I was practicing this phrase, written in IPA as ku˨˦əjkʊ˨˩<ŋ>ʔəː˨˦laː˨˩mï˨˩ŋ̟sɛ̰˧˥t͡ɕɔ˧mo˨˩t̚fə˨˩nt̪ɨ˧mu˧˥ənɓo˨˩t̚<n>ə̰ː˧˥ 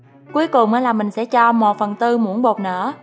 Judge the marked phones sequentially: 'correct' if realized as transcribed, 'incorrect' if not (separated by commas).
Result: incorrect, correct